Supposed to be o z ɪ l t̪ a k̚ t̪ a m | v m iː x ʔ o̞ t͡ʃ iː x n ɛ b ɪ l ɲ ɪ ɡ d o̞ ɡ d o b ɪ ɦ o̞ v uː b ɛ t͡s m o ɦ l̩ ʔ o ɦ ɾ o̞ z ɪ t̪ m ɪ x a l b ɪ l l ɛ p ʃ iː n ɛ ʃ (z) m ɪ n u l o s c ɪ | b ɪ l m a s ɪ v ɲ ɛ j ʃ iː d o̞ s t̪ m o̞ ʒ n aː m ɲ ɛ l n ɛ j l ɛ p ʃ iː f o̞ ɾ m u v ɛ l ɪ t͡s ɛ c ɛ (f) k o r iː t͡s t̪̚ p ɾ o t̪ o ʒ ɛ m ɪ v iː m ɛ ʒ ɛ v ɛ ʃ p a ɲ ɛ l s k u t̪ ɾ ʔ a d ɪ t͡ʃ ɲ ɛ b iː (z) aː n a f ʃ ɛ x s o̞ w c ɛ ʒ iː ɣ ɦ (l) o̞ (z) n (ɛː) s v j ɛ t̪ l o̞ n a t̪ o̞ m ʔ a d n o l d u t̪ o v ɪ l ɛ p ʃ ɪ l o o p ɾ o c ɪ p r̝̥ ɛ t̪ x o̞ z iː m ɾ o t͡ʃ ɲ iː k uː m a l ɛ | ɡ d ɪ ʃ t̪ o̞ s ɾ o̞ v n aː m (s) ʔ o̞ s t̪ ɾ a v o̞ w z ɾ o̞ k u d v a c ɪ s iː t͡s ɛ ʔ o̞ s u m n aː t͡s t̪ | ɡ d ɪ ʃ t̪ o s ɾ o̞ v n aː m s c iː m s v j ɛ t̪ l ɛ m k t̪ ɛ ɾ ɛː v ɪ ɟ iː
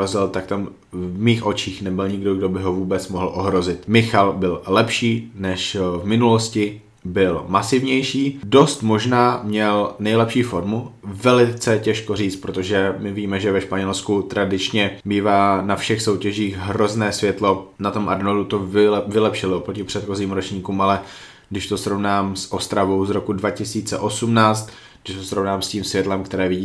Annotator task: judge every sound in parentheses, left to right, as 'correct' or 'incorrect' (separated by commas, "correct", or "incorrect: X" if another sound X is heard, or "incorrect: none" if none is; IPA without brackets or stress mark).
incorrect: v, incorrect: ʃ, incorrect: v, incorrect: ɾ, correct, correct, correct